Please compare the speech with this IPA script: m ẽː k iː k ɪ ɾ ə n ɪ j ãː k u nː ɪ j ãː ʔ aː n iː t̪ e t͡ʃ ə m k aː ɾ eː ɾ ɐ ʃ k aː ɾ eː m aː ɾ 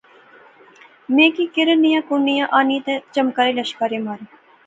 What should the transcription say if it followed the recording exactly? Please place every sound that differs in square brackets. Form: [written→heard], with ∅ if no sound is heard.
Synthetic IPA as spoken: m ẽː k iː k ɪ ɾ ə n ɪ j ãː k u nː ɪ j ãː ʔ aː n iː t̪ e t͡ʃ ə m k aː ɾ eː [ɾ→l] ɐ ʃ k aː ɾ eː m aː ɾ